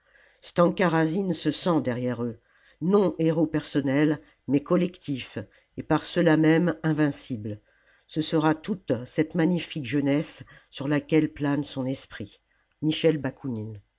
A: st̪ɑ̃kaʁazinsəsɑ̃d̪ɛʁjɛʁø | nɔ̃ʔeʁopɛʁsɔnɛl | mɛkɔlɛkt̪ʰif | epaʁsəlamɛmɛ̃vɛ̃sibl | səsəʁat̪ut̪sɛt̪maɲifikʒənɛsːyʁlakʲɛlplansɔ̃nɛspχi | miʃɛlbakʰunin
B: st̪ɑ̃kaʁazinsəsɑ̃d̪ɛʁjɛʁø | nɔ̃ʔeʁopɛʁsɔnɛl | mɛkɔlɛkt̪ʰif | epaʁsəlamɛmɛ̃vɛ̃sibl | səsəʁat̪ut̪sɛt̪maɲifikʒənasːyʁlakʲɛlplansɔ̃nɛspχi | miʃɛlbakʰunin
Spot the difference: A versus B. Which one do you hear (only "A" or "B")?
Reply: A